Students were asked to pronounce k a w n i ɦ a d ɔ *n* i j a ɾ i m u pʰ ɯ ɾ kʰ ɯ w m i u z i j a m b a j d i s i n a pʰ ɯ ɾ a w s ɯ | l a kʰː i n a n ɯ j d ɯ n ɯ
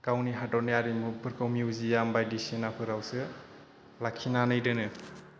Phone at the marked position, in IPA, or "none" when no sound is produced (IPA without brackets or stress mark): n